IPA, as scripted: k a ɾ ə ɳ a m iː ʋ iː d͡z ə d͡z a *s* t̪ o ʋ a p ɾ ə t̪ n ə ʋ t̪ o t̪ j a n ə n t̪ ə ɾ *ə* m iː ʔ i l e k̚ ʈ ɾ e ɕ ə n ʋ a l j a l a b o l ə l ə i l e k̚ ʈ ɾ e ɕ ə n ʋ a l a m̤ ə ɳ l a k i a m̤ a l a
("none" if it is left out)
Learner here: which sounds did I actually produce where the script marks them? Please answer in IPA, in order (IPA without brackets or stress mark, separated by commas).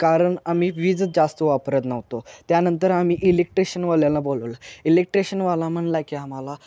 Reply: s, a